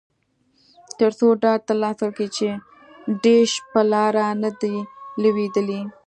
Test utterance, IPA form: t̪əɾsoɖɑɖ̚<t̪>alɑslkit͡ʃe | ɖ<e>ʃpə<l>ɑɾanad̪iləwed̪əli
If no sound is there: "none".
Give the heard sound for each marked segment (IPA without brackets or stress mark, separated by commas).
t̪, e, l